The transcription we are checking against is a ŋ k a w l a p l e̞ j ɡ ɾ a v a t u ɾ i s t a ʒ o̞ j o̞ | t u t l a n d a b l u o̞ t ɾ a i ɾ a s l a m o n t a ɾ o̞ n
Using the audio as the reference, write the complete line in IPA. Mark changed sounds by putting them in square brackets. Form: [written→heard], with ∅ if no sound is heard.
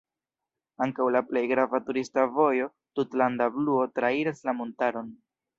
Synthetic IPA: a ŋ k a w l a p l e̞ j ɡ ɾ a v a t u ɾ i s t a [ʒ→v] o̞ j o̞ | t u t l a n d a b l u o̞ t ɾ a i ɾ a s l a m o n t a ɾ o̞ n